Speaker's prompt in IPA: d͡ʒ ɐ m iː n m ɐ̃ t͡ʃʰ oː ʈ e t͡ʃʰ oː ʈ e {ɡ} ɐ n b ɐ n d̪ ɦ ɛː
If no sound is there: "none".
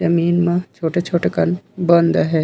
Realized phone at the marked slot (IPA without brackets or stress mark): k